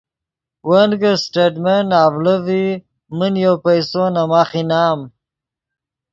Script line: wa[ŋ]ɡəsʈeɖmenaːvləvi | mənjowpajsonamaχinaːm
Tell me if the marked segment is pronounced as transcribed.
no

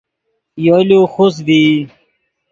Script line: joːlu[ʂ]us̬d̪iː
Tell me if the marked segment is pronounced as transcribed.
no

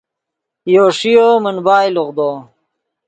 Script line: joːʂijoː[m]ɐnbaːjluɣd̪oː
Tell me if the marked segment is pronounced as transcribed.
yes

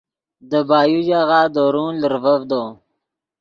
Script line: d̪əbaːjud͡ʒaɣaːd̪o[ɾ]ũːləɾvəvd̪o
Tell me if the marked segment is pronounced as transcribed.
yes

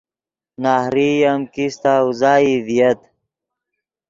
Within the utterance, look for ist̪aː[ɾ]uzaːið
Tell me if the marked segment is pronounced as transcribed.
no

